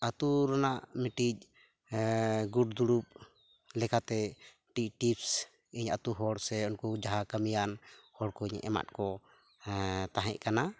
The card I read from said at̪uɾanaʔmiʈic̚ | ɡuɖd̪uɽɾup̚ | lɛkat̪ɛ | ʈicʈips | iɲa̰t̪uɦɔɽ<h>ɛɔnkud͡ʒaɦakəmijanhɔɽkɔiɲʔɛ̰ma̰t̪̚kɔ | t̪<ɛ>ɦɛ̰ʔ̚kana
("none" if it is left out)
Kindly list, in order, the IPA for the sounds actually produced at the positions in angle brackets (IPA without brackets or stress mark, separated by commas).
s, a